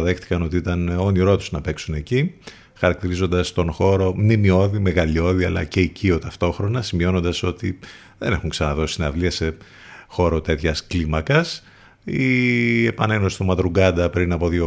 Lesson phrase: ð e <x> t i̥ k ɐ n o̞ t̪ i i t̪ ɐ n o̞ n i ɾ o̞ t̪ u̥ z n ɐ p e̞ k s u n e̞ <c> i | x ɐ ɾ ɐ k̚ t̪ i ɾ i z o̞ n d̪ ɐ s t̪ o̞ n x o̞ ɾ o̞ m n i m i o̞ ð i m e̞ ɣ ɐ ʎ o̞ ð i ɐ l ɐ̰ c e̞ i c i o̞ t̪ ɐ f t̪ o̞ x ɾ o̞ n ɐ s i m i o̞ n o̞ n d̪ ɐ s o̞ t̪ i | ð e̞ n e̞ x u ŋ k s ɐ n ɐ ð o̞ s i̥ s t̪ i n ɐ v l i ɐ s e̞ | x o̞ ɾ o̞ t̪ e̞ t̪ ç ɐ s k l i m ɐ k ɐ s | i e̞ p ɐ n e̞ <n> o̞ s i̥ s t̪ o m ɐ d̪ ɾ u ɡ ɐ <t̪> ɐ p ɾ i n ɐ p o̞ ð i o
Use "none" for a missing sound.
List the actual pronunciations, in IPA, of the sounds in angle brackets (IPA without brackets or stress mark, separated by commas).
x, c, n, d̪